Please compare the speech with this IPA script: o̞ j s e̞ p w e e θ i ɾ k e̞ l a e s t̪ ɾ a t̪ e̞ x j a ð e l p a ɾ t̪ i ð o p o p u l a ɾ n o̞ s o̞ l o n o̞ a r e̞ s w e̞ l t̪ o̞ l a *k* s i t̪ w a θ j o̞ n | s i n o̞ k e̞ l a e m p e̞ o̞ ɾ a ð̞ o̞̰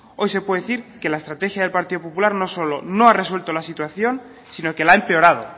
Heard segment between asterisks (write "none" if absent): none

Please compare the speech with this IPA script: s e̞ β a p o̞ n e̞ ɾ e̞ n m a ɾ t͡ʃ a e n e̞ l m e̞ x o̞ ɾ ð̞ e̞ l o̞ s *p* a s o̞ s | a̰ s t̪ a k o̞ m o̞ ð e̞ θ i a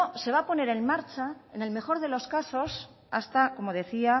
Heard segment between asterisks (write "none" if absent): k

